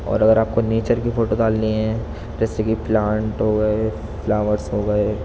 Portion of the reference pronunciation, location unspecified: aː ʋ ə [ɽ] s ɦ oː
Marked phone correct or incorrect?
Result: incorrect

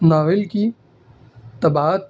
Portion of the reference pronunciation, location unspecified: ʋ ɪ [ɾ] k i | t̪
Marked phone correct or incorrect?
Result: incorrect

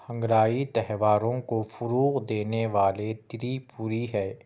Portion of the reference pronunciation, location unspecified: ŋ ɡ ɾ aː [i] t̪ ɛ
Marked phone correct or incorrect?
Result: correct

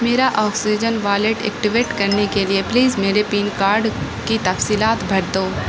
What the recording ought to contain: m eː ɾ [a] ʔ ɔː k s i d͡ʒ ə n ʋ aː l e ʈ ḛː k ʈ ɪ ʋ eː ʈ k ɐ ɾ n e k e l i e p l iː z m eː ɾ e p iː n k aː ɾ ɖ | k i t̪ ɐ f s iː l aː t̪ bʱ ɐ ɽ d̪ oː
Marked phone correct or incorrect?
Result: correct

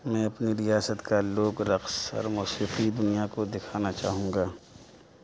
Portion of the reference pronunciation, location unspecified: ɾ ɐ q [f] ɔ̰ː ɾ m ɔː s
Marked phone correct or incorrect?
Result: incorrect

